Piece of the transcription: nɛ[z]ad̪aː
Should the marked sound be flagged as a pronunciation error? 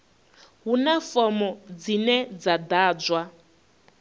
yes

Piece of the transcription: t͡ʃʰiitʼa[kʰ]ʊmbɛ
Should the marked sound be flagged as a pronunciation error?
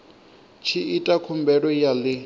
no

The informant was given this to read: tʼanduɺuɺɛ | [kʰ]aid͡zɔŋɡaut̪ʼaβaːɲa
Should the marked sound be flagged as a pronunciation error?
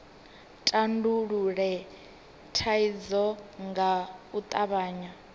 yes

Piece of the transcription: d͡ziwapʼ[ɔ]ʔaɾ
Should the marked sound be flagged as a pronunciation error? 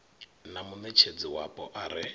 no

